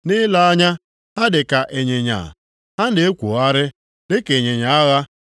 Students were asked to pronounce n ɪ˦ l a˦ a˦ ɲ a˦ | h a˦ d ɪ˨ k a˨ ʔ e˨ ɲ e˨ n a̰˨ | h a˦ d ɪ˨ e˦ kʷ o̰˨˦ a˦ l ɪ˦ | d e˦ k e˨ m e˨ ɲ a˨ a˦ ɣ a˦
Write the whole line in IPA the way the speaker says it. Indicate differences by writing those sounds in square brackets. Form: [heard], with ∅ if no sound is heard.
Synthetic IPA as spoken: n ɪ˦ l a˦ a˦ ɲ a˦ | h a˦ d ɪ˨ k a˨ ʔ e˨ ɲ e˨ [ɲ] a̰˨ | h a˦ [n] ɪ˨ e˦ kʷ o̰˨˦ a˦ [ɾ] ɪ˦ | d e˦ k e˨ [ɲ] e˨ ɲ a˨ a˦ ɣ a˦